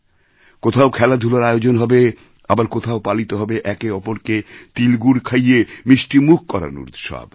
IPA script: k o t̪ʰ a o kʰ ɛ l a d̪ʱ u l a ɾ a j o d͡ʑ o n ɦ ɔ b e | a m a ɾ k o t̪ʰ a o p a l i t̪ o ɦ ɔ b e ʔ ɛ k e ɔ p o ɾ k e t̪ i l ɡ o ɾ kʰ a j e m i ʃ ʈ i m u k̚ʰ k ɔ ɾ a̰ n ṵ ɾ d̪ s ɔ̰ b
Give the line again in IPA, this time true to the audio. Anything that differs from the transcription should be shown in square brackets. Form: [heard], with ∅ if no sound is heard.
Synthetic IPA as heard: k o t̪ʰ a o kʰ ɛ l a d̪ʱ u l a ɾ a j o d͡ʑ o n ɦ ɔ b e | a [b] a ɾ k o t̪ʰ a o p a l i t̪ o ɦ ɔ b e ʔ ɛ k e ɔ p o ɾ k e t̪ i l ɡ [u] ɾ kʰ a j e m i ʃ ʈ i m u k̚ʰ k ɔ ɾ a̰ n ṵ ɾ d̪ [ʃ] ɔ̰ b